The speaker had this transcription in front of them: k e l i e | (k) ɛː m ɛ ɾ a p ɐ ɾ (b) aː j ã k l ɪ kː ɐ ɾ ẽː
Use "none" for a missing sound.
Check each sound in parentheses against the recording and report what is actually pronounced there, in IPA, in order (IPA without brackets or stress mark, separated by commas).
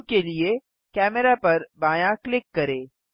k, b